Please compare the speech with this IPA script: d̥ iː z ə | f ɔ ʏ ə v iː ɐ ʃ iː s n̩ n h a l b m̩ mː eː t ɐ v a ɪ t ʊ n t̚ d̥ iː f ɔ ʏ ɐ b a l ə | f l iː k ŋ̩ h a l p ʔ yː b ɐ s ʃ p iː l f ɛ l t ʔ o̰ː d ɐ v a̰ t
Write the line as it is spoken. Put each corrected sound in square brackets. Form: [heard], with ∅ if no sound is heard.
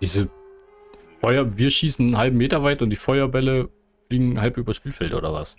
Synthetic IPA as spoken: d̥ iː z ə | f ɔ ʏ [ɐ] v iː ɐ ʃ iː s n̩ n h a l b m̩ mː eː t ɐ v a ɪ t ʊ n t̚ d̥ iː f ɔ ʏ ɐ b [ɛ] l ə | f l iː [ɡ] ŋ̩ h a l p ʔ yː b ɐ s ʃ p iː l f ɛ l t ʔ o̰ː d ɐ v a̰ [s]